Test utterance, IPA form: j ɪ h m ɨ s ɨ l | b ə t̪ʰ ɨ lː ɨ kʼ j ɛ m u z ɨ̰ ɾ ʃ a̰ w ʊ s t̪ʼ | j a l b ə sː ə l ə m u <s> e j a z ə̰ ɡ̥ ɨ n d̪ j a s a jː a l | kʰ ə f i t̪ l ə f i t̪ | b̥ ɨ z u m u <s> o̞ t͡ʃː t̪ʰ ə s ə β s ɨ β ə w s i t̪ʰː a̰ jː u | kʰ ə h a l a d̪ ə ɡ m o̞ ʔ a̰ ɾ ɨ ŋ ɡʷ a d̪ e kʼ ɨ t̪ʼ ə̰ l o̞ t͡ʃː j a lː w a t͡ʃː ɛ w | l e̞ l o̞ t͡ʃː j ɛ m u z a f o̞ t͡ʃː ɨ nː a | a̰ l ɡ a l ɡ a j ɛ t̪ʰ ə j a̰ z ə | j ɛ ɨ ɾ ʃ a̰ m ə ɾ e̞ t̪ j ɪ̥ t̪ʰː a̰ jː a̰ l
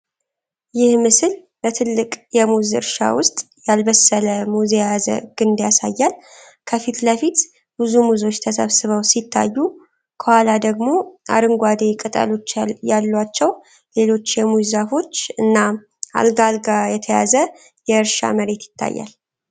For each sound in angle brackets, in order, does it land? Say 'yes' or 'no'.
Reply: no, no

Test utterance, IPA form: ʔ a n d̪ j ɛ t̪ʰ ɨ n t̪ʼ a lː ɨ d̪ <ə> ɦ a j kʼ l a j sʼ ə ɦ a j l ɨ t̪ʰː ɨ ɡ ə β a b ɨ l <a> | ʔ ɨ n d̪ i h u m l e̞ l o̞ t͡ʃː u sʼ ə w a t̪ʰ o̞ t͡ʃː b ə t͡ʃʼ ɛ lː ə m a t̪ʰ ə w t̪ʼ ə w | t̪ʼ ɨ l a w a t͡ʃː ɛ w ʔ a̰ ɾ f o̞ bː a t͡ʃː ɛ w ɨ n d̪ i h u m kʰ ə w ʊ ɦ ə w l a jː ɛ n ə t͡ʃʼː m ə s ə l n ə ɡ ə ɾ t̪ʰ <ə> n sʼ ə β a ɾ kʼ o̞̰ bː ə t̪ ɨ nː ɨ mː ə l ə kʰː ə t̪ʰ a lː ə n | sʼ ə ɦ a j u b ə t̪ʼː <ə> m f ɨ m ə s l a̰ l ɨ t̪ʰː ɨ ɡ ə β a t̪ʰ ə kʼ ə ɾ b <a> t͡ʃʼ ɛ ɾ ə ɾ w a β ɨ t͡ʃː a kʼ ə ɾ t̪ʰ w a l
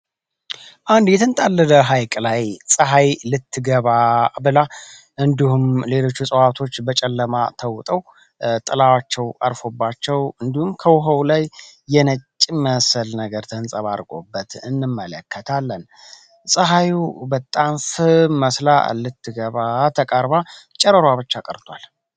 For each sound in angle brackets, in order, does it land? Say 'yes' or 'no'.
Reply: yes, yes, yes, no, yes

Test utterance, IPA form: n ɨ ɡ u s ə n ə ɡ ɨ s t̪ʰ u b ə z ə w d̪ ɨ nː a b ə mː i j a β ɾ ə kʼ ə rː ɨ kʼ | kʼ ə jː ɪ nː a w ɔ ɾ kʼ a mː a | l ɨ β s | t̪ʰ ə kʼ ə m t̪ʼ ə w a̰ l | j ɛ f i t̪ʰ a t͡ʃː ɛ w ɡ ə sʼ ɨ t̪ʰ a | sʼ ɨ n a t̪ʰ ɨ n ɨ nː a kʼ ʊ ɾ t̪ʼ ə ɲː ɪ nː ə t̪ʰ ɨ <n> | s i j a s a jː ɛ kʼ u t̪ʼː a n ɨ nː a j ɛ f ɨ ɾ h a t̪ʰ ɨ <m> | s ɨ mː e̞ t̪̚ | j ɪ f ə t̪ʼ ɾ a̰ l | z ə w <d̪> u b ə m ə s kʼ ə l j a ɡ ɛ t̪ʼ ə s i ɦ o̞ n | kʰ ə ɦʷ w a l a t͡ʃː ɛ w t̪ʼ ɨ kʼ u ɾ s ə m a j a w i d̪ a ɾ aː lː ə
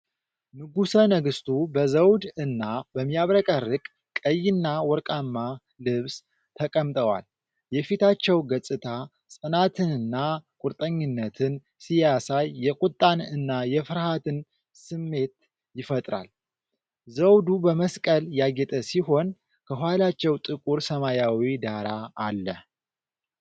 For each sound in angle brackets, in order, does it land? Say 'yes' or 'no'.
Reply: yes, no, yes

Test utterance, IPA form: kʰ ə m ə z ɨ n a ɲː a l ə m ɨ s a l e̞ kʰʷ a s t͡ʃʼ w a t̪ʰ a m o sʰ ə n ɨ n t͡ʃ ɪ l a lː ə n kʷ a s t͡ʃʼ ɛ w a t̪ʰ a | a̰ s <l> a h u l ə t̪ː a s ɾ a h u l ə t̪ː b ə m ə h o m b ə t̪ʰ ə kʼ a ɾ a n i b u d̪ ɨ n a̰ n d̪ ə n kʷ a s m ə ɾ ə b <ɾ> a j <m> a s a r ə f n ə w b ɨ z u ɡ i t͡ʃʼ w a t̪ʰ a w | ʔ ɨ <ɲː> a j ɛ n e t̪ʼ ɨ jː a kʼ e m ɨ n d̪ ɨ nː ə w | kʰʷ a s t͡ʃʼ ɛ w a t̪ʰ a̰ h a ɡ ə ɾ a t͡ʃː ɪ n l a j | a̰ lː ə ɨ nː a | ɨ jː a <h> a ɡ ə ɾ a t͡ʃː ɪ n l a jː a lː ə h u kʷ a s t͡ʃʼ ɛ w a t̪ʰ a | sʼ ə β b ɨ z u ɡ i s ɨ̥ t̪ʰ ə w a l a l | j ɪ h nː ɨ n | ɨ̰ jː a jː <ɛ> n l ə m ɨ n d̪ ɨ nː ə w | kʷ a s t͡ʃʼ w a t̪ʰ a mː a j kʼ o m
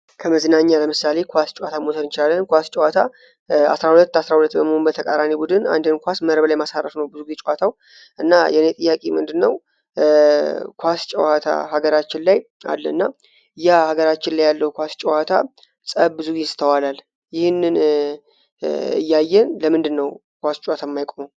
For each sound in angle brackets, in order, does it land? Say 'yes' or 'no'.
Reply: no, no, yes, no, yes, yes

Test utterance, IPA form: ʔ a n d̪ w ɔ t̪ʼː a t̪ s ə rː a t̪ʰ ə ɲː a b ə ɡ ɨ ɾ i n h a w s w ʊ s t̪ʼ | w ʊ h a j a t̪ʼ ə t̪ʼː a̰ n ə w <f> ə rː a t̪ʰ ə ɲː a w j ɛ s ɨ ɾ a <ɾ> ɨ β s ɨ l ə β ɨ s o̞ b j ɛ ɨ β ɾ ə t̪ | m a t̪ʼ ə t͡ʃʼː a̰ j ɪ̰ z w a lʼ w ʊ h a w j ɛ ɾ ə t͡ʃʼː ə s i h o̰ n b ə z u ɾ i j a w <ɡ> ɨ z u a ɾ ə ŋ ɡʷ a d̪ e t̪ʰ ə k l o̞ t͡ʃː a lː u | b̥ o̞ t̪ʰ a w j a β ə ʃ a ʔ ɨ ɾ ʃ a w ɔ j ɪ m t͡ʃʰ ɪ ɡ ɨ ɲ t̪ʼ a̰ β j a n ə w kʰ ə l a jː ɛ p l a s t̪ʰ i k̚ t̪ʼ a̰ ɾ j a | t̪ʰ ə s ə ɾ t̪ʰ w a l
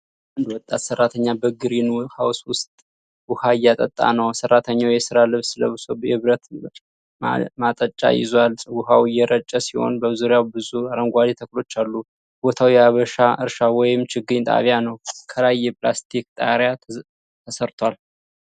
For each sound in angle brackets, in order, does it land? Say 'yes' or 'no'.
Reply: no, no, no

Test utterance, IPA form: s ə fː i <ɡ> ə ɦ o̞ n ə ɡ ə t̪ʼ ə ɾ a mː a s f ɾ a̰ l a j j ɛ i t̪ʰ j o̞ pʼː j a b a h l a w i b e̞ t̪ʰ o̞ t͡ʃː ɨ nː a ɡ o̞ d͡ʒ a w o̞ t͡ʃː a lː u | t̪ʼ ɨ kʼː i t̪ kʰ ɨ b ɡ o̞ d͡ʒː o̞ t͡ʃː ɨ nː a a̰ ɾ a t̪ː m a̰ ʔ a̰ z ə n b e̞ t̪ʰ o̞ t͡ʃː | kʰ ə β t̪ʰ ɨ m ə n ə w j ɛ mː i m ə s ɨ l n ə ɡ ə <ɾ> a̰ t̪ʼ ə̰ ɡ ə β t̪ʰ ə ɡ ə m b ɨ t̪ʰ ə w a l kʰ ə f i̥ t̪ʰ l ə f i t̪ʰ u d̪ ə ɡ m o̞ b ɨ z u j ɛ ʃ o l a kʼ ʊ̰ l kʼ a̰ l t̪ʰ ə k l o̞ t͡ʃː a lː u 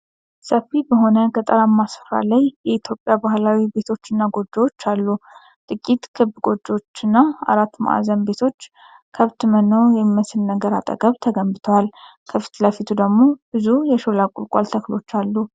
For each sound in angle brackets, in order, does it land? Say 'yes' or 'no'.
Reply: no, yes

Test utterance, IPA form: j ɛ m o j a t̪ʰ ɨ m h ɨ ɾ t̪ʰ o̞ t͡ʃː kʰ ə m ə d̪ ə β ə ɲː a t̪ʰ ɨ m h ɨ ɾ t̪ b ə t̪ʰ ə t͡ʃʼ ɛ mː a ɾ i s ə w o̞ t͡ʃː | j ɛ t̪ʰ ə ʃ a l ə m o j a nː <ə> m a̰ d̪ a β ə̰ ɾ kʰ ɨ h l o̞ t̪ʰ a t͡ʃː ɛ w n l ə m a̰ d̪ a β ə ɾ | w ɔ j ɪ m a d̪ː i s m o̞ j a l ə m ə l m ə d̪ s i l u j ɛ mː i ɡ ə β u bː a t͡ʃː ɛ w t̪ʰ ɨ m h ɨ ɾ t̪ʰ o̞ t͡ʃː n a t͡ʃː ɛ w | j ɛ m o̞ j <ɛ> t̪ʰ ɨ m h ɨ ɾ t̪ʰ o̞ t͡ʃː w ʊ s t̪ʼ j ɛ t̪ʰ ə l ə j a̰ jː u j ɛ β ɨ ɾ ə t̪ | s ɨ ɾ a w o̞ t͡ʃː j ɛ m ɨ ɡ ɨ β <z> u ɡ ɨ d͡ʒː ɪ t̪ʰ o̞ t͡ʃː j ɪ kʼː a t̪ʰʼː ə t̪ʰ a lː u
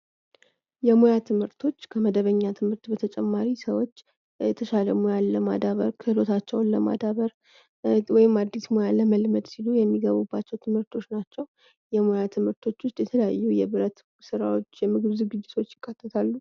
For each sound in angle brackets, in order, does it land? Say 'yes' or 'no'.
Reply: yes, no, yes

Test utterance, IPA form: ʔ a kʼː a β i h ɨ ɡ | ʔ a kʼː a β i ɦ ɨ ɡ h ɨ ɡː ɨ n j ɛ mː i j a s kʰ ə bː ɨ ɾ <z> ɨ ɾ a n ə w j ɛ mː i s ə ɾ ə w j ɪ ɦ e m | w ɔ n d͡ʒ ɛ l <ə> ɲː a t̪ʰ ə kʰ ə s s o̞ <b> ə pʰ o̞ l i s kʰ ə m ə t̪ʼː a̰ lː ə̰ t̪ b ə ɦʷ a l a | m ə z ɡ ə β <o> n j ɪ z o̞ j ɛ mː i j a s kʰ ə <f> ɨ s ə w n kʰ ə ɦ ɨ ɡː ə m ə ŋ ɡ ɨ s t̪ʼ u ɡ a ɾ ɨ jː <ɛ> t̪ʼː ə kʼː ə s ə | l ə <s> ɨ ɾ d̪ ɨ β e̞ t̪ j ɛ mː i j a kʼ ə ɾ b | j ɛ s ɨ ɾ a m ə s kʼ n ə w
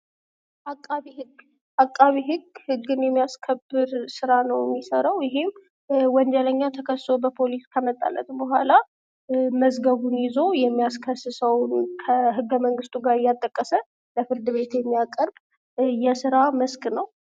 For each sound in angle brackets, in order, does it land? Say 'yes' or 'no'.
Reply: no, yes, yes, no, no, no, no

